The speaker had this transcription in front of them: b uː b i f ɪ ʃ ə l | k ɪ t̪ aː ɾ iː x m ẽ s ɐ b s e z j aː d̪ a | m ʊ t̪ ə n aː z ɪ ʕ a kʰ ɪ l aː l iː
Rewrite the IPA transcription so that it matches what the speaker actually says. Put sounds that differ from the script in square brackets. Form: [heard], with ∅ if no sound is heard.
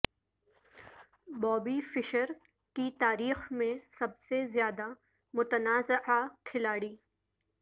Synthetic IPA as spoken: b [ɔː] b i f ɪ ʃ ə [ɾ] | k [i] t̪ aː ɾ iː x m ẽ s ɐ b s e z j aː d̪ a | m ʊ t̪ ə n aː z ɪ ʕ a kʰ ɪ l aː [ɽ] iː